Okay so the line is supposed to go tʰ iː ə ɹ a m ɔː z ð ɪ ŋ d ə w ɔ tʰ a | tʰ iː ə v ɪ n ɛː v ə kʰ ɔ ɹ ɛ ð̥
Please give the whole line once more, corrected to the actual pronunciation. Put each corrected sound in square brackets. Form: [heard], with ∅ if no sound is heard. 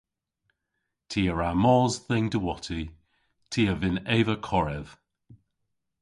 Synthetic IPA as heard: tʰ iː ə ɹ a m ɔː z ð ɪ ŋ d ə w ɔ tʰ [i] | tʰ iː ə v ɪ n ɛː v ə kʰ ɔ ɹ ɛ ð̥